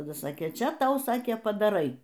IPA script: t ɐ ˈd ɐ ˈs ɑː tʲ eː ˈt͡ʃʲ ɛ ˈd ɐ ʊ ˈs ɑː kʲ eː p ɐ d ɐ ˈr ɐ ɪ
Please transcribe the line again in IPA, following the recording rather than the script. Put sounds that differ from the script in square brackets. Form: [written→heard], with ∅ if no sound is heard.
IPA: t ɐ ˈd ɐ ˈs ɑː [tʲ→kʲ] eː ˈt͡ʃʲ ɛ [ˈd→ˈt] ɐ ʊ ˈs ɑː kʲ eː p ɐ d ɐ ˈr ɐ ɪ